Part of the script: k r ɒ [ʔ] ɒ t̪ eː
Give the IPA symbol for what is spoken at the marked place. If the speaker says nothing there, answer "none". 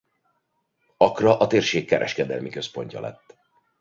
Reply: ʔ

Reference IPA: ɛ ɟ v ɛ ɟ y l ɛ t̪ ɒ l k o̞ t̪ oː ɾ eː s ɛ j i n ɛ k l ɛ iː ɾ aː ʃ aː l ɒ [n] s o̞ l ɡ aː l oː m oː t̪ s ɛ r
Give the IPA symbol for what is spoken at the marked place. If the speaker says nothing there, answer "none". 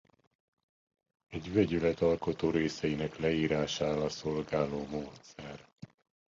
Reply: none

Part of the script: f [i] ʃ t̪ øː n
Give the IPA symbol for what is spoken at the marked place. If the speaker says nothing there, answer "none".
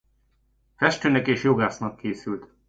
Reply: ɛ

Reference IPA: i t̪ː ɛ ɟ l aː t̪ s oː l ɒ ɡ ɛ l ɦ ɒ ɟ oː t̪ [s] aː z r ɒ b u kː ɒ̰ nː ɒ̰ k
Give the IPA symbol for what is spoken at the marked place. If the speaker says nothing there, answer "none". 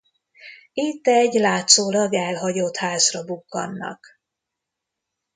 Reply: h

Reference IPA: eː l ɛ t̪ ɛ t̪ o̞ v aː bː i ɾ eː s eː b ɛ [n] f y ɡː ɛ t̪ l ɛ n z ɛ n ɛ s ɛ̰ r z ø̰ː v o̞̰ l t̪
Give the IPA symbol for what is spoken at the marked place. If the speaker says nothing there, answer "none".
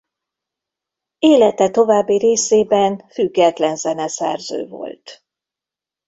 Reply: n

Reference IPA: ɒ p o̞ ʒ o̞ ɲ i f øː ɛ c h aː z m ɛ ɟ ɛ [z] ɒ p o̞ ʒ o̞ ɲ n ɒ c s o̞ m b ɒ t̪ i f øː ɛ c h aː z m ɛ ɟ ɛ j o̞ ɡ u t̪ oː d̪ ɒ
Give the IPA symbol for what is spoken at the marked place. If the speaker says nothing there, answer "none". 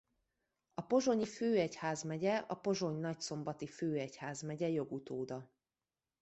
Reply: none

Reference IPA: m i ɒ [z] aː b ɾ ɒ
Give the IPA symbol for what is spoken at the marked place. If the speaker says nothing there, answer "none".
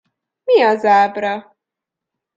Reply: z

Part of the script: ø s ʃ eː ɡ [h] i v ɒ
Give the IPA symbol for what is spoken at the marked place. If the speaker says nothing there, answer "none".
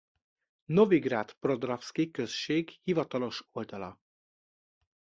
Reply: h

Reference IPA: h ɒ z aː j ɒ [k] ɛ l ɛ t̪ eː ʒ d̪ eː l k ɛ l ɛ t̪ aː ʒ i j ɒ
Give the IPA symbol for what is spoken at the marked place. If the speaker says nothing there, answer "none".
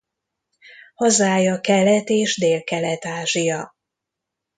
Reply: k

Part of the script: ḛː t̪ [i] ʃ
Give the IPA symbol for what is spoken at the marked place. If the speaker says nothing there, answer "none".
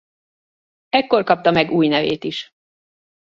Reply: i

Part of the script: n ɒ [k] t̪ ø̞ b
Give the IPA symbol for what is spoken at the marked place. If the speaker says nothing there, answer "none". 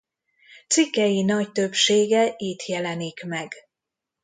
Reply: c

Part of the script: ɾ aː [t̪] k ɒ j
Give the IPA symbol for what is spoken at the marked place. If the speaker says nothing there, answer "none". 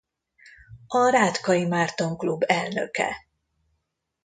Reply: t̪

